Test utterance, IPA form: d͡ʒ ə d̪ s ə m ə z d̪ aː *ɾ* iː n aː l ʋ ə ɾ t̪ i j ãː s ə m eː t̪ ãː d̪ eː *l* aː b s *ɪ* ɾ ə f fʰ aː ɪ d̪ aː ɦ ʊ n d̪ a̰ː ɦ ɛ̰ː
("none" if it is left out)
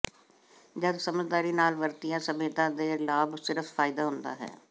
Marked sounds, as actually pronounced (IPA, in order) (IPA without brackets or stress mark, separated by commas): ɾ, l, ɪ